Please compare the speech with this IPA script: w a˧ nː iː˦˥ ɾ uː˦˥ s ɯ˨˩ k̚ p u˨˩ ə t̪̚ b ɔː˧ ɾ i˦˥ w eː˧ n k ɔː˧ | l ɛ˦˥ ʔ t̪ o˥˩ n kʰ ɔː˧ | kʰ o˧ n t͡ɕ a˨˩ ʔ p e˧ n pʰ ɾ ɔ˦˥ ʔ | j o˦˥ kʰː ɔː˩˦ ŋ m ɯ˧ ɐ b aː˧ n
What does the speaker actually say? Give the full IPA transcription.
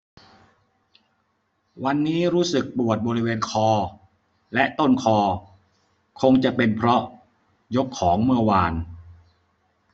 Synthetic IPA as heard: w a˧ nː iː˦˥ ɾ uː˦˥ s ɯ˨˩ k̚ p u˨˩ ə t̪̚ b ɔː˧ ɾ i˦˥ w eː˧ n kʰ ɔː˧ | l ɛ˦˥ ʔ t̪ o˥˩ n kʰ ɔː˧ | kʰ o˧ ŋ t͡ɕ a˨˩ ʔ p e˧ n pʰ ɾ ɔ˦˥ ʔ | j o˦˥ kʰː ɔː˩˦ ŋ m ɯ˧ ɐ w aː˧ n

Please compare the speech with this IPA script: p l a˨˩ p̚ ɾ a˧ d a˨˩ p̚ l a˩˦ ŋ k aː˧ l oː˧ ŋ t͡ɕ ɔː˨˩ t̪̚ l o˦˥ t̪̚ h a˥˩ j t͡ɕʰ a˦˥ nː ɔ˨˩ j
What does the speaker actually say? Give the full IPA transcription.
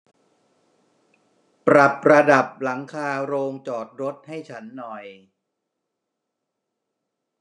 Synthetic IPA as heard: p ɾ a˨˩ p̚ ɾ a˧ d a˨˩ p̚ l a˩˦ ŋ kʰ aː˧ ɾ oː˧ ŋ t͡ɕ ɔː˨˩ t̪̚ ɾ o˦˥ t̪̚ h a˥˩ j t͡ɕʰ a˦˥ nː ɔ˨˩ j

